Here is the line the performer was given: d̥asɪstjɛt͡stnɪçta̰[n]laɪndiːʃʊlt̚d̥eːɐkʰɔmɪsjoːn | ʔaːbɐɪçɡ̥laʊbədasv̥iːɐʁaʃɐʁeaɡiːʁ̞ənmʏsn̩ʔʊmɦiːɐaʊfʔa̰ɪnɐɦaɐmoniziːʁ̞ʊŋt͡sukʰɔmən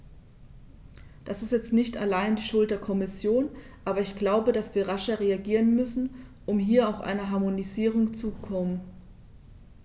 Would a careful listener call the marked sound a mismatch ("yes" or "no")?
yes